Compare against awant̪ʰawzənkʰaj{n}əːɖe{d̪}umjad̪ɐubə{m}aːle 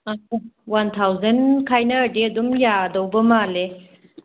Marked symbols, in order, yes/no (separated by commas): yes, yes, yes